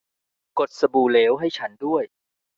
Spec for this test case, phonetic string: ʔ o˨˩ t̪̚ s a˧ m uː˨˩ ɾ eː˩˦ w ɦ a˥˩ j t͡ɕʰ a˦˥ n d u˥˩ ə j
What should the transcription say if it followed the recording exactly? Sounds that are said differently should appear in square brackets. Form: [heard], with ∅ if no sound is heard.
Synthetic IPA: [k] o˨˩ t̪̚ s a˧ [b] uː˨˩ [l] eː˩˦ w ɦ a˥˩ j t͡ɕʰ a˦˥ n d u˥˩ ə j